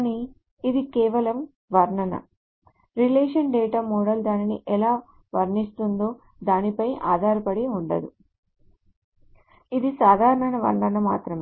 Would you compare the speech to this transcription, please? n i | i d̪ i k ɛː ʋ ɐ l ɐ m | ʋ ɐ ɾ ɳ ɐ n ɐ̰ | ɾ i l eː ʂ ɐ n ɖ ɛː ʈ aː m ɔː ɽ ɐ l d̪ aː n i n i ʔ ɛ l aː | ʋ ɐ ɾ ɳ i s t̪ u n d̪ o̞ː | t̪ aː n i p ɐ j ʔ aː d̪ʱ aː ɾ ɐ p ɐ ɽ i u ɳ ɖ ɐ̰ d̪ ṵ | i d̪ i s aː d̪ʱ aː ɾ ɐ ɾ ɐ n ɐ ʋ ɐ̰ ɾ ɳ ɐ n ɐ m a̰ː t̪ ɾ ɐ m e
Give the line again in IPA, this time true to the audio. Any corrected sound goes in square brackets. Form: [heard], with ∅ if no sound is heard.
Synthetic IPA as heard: n i | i d̪ i k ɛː ʋ ɐ l ɐ m | ʋ ɐ ɾ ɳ ɐ n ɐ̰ | ɾ i l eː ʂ ɐ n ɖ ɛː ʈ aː m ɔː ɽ ɐ l d̪ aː n i n i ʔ ɛ l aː | ʋ ɐ ɾ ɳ i s t̪ u n d̪ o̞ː | [d̪] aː n i p ɐ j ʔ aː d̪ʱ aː ɾ ɐ p ɐ ɽ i u ɳ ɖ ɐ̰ d̪ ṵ | i d̪ i s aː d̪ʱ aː ɾ ɐ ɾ ɐ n ɐ ʋ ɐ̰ ɾ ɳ ɐ n ɐ m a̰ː t̪ ɾ ɐ m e